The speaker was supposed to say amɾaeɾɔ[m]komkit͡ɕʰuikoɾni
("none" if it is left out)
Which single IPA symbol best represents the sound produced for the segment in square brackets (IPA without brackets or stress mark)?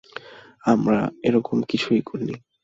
none